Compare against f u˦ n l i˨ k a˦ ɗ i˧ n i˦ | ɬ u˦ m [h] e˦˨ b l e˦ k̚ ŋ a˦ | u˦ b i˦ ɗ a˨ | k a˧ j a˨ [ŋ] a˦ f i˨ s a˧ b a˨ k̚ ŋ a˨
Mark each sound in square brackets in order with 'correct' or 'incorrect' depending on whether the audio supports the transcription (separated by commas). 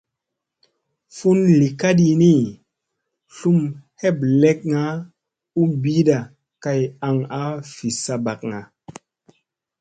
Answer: correct, correct